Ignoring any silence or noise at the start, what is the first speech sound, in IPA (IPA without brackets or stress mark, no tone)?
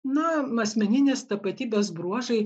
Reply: n